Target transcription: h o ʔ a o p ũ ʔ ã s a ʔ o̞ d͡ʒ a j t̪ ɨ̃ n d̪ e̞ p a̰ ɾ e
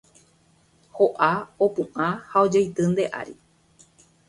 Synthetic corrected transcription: h o ʔ a o p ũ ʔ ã h a o̞ d͡ʒ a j t̪ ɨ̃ n d̪ e̞ ʔ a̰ ɾ i